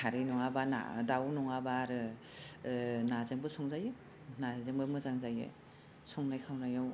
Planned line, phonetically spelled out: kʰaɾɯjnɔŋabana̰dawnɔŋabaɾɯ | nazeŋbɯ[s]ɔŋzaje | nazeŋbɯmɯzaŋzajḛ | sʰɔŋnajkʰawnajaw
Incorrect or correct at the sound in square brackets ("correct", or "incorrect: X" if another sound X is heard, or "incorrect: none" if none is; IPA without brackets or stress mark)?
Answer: correct